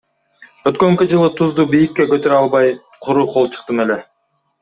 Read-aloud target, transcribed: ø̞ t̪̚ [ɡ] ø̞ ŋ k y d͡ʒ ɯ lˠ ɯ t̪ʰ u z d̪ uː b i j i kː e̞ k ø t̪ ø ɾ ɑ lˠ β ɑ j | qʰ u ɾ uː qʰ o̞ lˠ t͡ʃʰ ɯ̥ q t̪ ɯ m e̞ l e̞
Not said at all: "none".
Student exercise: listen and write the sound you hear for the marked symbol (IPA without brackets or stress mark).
k